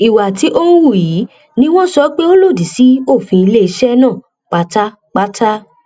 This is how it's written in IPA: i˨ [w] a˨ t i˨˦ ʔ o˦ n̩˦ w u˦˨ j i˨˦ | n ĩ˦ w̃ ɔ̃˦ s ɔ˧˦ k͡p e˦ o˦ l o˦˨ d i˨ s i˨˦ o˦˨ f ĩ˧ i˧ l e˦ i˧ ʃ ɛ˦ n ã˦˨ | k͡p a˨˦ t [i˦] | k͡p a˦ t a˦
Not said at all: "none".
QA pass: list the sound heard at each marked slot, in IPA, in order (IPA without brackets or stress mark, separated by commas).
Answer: w, a˦